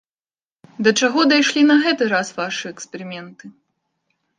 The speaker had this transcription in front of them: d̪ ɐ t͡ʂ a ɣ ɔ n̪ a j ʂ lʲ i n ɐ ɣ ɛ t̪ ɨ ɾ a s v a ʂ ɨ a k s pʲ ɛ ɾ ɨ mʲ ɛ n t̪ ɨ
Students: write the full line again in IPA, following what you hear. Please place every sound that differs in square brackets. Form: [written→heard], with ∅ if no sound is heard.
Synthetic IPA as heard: d̪ ɐ t͡ʂ a ɣ ɔ [n̪→d̪] a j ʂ lʲ i n ɐ ɣ ɛ t̪ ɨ ɾ a s v a ʂ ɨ [a→ɛ] k s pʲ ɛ ɾ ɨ mʲ ɛ n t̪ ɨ